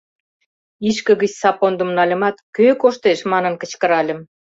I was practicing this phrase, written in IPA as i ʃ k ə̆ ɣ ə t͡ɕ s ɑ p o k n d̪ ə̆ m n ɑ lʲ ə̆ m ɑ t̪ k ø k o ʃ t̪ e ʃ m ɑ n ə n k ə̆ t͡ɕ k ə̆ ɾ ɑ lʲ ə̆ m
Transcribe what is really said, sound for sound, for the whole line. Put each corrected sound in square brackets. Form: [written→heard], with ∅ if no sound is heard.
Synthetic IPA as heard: i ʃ k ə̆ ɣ ə t͡ɕ s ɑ p o [k→∅] n d̪ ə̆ m n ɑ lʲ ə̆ m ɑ t̪ k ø k o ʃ t̪ e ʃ m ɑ n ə n k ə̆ t͡ɕ k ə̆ ɾ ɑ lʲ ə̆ m